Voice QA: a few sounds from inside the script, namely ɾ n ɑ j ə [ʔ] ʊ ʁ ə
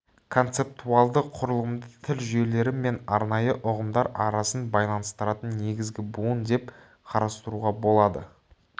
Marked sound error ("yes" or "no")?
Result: no